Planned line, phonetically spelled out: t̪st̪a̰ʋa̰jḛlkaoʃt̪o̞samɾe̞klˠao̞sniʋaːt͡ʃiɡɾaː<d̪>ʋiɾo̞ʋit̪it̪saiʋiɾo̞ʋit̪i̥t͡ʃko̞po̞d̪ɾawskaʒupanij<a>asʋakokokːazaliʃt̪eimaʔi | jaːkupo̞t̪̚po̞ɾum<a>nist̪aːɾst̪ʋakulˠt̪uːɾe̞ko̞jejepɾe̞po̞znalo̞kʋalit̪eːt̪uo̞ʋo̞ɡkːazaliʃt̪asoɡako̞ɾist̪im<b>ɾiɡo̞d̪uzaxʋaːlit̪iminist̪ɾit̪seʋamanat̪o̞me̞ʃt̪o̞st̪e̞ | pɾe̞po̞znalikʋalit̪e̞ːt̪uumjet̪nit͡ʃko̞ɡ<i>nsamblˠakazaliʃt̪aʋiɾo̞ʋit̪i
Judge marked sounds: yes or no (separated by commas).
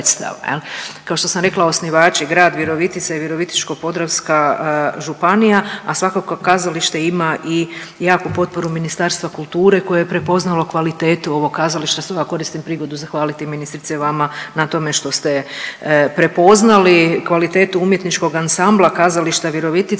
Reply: yes, yes, no, no, no